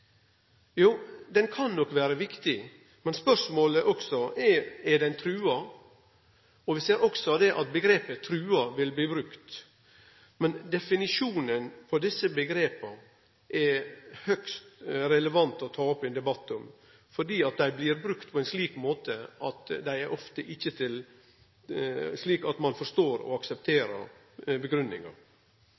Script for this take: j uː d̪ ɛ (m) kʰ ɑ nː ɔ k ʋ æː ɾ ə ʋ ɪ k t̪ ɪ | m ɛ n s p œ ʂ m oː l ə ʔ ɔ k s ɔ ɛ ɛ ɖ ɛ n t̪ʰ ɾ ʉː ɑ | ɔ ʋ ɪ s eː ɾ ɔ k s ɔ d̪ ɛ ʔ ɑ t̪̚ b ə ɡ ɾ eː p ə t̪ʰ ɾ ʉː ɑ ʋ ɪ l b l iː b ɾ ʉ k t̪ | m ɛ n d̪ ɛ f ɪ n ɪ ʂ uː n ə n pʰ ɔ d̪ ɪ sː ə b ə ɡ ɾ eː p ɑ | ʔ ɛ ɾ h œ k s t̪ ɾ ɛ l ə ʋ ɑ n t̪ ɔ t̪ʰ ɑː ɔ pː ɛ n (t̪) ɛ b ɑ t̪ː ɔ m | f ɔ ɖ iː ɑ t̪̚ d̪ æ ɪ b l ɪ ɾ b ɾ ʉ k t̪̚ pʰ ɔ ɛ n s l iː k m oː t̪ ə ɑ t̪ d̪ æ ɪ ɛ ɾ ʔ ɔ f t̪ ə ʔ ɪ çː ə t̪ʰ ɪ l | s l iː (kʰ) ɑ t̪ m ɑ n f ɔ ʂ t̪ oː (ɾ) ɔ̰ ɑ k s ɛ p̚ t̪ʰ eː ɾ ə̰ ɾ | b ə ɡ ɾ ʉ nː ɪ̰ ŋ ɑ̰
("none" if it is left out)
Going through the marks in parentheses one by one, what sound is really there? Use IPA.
n, d̪, k, ɾ

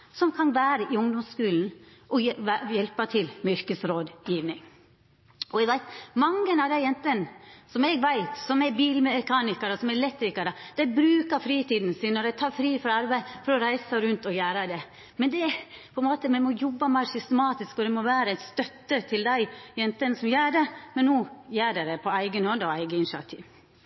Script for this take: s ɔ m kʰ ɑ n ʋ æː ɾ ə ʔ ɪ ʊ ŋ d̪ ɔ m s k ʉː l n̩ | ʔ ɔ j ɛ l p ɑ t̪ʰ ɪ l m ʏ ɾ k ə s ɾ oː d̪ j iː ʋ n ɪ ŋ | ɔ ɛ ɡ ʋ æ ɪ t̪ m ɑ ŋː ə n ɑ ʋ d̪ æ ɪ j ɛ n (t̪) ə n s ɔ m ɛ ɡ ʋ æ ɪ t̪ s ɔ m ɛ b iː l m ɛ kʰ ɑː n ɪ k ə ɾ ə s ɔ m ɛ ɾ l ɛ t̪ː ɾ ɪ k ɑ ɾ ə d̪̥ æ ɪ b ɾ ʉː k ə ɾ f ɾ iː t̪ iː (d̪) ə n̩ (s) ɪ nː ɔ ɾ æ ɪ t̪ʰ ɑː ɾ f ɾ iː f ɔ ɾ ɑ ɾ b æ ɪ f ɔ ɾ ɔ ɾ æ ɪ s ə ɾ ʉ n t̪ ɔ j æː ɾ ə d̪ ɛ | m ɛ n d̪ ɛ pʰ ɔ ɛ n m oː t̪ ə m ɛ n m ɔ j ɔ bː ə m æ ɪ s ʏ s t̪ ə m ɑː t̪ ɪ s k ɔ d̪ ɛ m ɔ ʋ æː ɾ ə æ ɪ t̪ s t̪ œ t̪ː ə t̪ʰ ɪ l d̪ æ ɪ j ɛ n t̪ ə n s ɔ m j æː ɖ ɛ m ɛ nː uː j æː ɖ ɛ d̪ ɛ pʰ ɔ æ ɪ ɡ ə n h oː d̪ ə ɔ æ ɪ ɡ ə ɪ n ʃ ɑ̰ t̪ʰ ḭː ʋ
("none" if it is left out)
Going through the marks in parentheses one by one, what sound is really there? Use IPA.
t̪, d̪, s

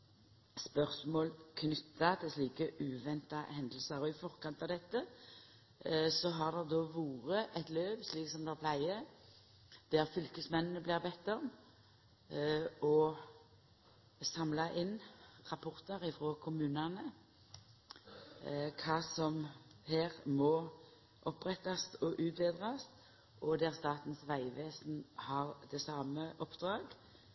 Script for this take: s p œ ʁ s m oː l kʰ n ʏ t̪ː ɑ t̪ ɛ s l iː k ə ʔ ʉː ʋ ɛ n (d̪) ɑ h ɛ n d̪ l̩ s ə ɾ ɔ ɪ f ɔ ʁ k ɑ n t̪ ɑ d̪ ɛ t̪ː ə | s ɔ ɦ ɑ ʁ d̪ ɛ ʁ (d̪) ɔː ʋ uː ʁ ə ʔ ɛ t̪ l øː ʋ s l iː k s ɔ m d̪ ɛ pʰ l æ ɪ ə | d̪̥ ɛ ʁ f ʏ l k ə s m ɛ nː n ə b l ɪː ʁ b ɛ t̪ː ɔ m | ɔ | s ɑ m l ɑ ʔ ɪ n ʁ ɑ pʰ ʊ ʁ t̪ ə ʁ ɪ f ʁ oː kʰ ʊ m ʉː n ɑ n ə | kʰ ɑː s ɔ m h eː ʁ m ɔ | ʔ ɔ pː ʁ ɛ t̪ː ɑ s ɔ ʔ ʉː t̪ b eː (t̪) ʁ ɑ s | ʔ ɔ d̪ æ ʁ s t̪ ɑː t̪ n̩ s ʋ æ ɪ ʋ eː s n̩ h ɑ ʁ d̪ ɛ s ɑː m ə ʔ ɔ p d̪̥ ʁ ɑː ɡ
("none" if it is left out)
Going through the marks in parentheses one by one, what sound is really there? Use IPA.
t̪, d̪, d̪

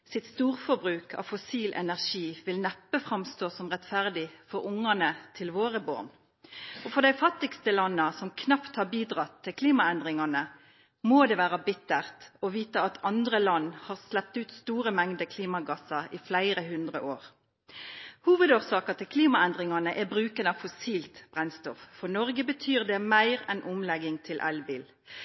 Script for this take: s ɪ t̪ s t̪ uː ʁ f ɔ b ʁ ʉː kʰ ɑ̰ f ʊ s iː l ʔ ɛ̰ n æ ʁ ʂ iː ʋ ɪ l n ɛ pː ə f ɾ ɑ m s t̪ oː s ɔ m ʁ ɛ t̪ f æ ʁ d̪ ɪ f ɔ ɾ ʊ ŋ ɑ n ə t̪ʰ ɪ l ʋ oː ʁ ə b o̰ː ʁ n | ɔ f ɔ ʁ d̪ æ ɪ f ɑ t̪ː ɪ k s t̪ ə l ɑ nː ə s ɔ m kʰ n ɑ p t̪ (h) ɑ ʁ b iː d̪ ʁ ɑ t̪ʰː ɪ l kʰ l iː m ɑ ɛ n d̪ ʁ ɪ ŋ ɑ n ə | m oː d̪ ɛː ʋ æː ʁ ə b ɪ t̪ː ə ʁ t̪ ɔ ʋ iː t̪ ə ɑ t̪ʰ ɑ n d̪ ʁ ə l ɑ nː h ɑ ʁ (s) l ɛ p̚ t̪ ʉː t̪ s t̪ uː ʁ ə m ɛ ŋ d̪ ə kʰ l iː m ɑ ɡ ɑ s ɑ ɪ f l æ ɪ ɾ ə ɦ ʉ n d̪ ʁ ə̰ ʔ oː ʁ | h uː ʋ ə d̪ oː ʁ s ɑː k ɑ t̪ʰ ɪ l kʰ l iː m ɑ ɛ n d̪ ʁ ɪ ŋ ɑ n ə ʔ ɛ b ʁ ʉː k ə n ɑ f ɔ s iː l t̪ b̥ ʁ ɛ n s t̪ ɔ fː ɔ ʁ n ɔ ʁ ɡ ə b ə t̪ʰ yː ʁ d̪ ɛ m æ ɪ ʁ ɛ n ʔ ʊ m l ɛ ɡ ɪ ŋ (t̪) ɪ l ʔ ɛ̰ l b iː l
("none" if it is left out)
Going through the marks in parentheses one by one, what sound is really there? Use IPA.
h, s, t̪ʰ

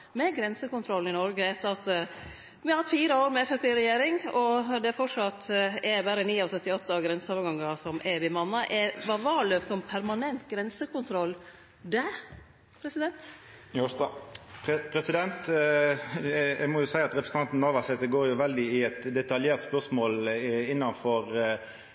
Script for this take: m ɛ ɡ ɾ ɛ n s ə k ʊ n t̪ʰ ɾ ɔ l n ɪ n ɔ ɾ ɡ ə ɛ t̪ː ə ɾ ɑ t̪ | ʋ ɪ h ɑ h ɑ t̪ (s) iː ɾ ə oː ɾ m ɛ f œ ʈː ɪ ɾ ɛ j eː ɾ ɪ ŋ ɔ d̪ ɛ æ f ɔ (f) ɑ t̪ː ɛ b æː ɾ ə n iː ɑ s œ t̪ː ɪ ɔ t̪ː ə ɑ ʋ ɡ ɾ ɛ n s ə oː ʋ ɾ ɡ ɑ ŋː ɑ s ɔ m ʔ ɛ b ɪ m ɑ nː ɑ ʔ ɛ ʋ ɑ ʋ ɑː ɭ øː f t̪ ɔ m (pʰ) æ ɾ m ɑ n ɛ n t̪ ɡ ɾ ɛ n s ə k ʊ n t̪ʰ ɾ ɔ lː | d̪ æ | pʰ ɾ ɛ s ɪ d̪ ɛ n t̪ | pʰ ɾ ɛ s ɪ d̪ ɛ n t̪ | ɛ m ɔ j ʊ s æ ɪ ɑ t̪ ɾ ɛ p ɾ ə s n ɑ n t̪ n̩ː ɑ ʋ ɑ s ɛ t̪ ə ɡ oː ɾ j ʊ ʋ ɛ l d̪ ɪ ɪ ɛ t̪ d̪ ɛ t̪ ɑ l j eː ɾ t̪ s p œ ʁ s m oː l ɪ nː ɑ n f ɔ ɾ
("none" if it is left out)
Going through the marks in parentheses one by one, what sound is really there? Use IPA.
f, ʂ, pʰ

